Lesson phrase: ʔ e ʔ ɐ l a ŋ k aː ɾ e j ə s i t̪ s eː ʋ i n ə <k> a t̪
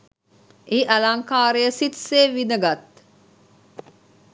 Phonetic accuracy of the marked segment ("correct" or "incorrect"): incorrect